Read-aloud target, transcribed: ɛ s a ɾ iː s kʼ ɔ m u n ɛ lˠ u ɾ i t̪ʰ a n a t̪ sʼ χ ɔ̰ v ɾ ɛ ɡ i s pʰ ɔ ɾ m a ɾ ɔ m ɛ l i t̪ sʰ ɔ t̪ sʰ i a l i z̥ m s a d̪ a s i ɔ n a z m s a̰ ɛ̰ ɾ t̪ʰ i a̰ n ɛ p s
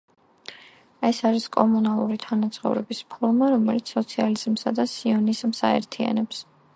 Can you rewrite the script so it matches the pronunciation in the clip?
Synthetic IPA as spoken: ɛ s a ɾ i s kʼ ɔ m u n a lˠ u ɾ i t̪ʰ a n a t̪ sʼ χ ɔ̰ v ɾ ɛ b i s pʰ ɔ ɾ m a ɾ ɔ m ɛ l i t̪ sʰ ɔ t̪ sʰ i a l i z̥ m s a d̪ a s i ɔ n i z m s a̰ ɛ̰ ɾ t̪ʰ i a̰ n ɛ p s

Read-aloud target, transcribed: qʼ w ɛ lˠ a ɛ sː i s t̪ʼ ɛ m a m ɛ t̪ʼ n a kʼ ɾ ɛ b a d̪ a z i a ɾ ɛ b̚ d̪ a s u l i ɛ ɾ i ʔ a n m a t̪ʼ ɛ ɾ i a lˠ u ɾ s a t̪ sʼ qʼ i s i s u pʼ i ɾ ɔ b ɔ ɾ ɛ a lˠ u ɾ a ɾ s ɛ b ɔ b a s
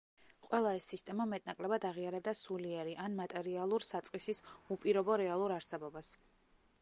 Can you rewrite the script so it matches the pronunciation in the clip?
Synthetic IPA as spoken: qʼ w ɛ lˠ a ɛ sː i s t̪ʼ ɛ m a m ɛ t̪ʼ n a kʼ l ɛ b a d̪ a ʁ i a ɾ ɛ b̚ d̪ a s u l i ɛ ɾ i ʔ a n m a t̪ʼ ɛ ɾ i a lˠ u ɾ s a t̪ sʼ qʼ i s i s u pʼ i ɾ ɔ b ɔ ɾ ɛ a lˠ u ɾ a ɾ s ɛ b ɔ b a s

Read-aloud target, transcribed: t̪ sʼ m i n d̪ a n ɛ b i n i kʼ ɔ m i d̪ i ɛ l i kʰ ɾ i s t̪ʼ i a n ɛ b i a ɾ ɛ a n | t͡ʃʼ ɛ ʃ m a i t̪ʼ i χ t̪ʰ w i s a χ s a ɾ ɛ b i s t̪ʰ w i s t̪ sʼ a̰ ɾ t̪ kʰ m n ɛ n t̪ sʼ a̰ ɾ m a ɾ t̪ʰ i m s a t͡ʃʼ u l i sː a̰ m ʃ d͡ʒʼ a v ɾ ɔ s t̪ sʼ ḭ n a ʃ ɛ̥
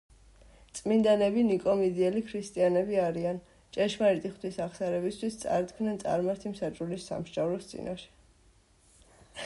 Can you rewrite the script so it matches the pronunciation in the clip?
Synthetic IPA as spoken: t̪ sʼ m i n d̪ a n ɛ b i n i kʼ ɔ m i d̪ i ɛ l i kʰ ɾ i s t̪ʼ i a n ɛ b i a ɾ i a n | t͡ʃʼ ɛ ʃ m a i t̪ʼ i χ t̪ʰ w i s a χ s a ɾ ɛ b i s t̪ʰ w i s t̪ sʼ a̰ ɾ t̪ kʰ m n ɛ n t̪ sʼ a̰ ɾ m a ɾ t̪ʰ i m s a t͡ʃʼ u l i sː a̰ m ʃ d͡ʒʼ a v ɾ ɔ s t̪ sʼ ḭ n a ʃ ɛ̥

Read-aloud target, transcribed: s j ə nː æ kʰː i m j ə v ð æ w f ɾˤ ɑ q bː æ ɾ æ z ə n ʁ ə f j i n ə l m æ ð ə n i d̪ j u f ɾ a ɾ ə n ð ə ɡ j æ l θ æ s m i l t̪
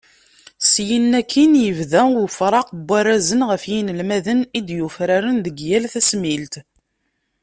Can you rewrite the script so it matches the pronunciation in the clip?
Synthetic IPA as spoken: s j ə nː æ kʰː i n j ə v ð æ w f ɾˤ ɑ q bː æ ɾ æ z ə n ʁ ə f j i n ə l m æ ð ə n i d̪ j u f ɾ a ɾ ə n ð ə ɡ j æ l θ æ s m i l t̪

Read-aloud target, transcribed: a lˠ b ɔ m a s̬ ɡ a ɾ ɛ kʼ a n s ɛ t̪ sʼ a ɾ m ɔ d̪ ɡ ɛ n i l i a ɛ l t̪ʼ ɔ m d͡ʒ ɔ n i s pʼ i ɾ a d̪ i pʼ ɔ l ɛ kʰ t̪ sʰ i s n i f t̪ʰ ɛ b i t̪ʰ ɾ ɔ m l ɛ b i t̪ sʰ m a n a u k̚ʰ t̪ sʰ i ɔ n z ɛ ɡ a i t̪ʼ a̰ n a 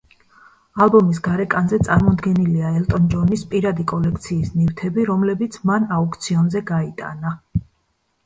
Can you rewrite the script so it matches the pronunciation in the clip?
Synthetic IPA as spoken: a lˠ b ɔ m i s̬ ɡ a ɾ ɛ kʼ a n z ɛ t̪ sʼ a ɾ m ɔ d̪ ɡ ɛ n i l i a ɛ l t̪ʼ ɔ n d͡ʒ ɔ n i s pʼ i ɾ a d̪ i kʼ ɔ l ɛ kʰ t̪ sʰ iː s n i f t̪ʰ ɛ b i ɾ ɔ m l ɛ b i t̪ sʰ m a n a u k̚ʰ t̪ sʰ i ɔ n z ɛ ɡ a i t̪ʼ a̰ n a

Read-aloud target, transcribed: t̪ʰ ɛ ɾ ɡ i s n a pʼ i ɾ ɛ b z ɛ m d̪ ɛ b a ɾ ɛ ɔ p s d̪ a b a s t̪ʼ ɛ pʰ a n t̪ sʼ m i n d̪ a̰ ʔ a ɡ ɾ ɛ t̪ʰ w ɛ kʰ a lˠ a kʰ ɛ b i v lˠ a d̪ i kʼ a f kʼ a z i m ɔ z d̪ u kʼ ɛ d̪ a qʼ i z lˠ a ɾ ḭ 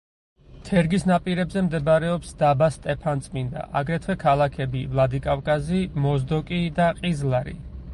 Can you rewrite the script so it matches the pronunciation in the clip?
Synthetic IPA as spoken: t̪ʰ ɛ ɾ ɡ i s n a pʼ i ɾ ɛ b z ɛ m d̪ ɛ b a ɾ ɛ ɔ p s d̪ a b a s t̪ʼ ɛ pʰ a n t̪ sʼ m i n d̪ a̰ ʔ a ɡ ɾ ɛ t̪ʰ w ɛ kʰ a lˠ a kʰ ɛ b i v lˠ a d̪ i kʼ a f kʼ a z i m ɔ z d̪ ɔ kʼ i d̪ a qʼ i z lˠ a ɾ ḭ

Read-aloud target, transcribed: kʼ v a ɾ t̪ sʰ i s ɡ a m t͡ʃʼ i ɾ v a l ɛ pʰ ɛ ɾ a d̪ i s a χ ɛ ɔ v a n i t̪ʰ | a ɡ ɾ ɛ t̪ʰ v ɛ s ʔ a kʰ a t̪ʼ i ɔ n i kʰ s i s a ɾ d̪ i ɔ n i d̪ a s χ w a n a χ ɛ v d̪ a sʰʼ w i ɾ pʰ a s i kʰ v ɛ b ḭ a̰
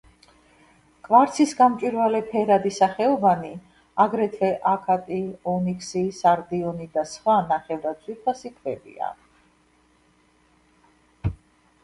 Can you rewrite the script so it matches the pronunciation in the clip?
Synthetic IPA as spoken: kʼ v a ɾ t̪ sʰ i s ɡ a m t͡ʃʼ i ɾ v a l ɛ pʰ ɛ ɾ a d̪ i s a χ ɛ ɔ v a n i | a ɡ ɾ ɛ t̪ʰ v ɛ ʔ a kʰ a t̪ʼ i ɔ n i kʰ s i s a ɾ d̪ i ɔ n i d̪ a s χ w a n a χ ɛ v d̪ a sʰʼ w i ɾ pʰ a s i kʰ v ɛ b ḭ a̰

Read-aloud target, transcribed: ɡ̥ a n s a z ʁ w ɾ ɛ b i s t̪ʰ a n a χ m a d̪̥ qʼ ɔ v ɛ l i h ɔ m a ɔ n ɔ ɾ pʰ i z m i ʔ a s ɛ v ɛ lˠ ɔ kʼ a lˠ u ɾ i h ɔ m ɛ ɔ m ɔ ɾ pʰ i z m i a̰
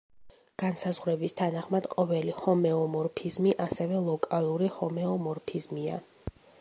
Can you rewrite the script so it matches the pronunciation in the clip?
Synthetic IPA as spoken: ɡ̥ a n s a z ʁ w ɾ ɛ b i s t̪ʰ a n a χ m a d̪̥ qʼ ɔ v ɛ l i h ɔ m ɛ ɔ m ɔ ɾ pʰ i z m i ʔ a s ɛ v ɛ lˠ ɔ kʼ a lˠ u ɾ i h ɔ m ɛ ɔ m ɔ ɾ pʰ i z m i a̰

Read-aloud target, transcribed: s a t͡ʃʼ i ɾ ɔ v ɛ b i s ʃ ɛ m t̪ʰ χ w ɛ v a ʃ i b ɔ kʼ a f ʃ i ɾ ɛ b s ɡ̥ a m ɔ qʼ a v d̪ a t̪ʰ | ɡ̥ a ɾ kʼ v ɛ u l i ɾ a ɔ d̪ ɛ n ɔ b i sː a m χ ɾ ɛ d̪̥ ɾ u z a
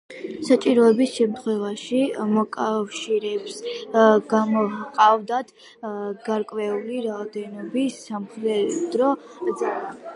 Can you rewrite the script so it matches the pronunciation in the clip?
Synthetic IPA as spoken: s a t͡ʃʼ i ɾ ɔ ɛ b i s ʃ ɛ m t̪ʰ χ w ɛ v a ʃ i m ɔ kʼ a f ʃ i ɾ ɛ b s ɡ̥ a m ɔ qʼ a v d̪ a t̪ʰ | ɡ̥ a ɾ kʼ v ɛ u l i ɾ a ɔ d̪ ɛ n ɔ b i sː a m χ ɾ ɛ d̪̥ ɾ ɔ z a

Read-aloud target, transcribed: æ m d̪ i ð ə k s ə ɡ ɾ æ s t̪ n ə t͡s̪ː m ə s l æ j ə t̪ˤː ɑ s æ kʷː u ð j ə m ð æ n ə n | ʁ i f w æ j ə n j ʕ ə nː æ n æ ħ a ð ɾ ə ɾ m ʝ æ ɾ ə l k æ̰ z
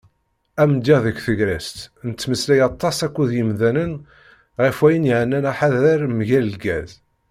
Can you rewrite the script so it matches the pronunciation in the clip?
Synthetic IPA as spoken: æ m d̪ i ð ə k θ ə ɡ ɾ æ s t̪ n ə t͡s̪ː m ə s l æ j ɑ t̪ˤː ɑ s æ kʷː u ð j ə m ð æ n ə n | ʁ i f w æ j ə n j ʕ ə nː æ n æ ħ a ð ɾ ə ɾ m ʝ æ l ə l ɡ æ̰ z

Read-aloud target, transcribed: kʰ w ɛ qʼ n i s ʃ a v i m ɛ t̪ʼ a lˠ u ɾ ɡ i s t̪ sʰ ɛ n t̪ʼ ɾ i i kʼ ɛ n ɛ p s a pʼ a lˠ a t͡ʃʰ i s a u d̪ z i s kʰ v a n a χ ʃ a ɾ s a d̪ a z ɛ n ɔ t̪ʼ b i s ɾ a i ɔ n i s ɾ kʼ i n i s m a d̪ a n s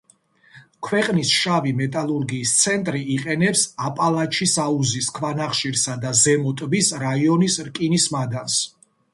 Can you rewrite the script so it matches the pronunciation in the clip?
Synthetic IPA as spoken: kʰ w ɛ qʼ n i s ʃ a v i m ɛ t̪ʼ a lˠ u ɾ ɡ iː s t̪ sʰ ɛ n t̪ʼ ɾ i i qʼ ɛ n ɛ p s a pʼ a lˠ a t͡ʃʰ i s a u z i s kʰ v a n a χ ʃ i ɾ s a d̪ a z ɛ m ɔ t̪ʼ b i s ɾ a i ɔ n i s ɾ kʼ i n i s m a d̪ a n s

